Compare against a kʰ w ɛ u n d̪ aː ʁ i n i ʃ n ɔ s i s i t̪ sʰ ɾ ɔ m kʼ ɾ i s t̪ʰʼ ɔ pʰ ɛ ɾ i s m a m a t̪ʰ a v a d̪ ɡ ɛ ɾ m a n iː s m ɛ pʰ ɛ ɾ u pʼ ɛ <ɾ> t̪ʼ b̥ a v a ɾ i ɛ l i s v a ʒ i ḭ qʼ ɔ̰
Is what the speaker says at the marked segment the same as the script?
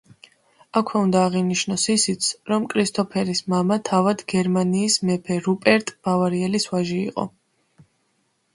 yes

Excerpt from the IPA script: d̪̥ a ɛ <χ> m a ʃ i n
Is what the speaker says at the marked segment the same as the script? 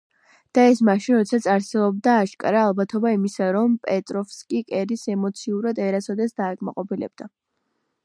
no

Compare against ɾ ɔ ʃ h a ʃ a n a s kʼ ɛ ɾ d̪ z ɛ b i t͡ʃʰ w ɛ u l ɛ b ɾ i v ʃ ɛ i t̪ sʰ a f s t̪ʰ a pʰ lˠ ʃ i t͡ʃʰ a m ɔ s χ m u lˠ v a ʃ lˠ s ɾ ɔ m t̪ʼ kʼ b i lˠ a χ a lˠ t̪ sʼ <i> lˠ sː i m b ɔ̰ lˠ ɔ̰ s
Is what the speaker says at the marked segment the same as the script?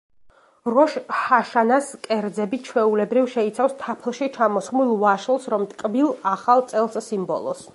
no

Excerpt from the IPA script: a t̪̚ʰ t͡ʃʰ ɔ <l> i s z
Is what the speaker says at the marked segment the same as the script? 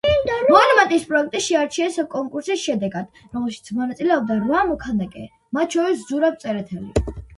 no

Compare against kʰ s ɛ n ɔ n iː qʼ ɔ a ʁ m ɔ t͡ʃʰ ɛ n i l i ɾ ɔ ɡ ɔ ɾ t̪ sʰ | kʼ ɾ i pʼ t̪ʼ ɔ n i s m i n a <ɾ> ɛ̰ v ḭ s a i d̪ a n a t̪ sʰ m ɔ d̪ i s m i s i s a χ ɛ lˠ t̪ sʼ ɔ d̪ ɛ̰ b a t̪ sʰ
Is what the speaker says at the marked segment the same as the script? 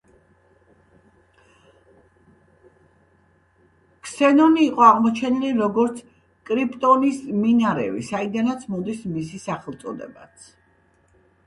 yes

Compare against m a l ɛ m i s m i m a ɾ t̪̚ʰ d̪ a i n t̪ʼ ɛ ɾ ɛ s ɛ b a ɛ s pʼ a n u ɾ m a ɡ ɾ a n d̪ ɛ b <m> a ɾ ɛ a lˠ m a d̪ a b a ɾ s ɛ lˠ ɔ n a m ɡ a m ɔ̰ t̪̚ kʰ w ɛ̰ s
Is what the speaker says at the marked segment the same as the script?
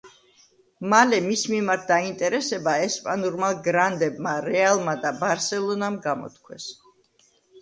yes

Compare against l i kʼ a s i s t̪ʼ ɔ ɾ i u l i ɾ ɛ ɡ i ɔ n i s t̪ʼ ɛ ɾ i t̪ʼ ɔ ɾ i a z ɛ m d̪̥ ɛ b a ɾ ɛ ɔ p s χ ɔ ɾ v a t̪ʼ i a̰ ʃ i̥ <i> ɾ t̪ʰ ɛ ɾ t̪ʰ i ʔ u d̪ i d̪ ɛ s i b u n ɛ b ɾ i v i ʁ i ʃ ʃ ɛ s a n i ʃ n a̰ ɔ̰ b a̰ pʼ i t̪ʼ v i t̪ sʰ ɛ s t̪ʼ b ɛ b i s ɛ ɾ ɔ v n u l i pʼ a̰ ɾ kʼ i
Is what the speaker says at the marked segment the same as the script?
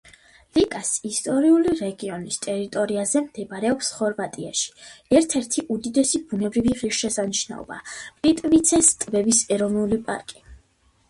no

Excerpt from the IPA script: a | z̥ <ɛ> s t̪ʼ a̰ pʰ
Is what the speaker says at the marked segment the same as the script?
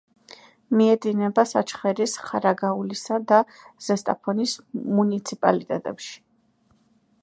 yes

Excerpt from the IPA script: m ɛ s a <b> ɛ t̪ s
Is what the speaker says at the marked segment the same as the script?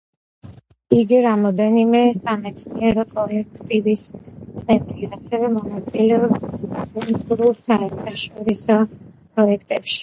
no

